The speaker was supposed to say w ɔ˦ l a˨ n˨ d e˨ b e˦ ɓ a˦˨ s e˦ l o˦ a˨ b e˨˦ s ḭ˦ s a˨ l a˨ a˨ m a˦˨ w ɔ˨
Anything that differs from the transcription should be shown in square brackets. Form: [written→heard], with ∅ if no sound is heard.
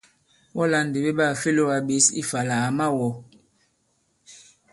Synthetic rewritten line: w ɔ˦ l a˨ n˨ d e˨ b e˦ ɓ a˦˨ [s→f] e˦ l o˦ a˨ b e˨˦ s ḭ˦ [s→f] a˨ l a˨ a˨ m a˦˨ w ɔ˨